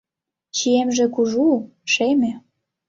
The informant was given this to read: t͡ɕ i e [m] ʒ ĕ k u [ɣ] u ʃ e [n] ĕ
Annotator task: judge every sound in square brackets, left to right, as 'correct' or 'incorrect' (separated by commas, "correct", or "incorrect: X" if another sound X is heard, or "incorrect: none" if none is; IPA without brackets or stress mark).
correct, incorrect: ʒ, incorrect: m